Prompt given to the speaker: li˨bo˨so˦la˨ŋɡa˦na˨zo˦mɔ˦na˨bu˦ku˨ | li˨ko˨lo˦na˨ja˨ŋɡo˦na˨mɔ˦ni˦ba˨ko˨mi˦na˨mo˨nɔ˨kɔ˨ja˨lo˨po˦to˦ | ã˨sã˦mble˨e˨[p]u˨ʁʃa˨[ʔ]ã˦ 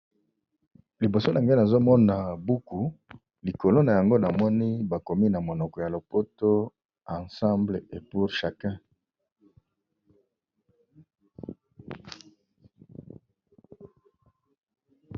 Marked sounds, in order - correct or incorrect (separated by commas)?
correct, incorrect